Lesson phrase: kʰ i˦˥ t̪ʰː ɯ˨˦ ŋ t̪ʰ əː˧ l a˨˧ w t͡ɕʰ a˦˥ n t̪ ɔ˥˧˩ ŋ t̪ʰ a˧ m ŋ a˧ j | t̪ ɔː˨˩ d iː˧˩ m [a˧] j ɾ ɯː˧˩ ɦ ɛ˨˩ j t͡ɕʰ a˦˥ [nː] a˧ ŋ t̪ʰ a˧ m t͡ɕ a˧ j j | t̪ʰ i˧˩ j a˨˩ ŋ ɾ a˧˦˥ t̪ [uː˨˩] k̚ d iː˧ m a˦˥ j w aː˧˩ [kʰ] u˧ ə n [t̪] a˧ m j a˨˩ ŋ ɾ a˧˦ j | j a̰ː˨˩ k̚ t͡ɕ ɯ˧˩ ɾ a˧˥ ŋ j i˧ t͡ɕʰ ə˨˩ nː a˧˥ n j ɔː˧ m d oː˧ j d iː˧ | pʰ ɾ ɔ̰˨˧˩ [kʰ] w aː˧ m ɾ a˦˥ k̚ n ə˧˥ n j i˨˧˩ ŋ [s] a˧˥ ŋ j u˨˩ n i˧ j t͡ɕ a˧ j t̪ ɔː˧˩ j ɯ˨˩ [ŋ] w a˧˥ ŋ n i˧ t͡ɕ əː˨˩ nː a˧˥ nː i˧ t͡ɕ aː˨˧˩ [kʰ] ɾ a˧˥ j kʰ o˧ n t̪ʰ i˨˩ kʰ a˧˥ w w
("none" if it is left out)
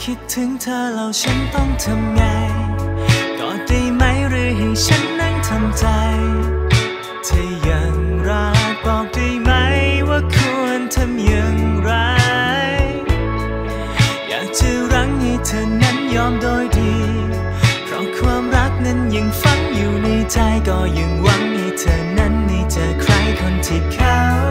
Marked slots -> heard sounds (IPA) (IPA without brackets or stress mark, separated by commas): a˦˥, nː, ɔː˨˩, kʰ, t̪ʰ, kʰ, f, ŋ, kʰ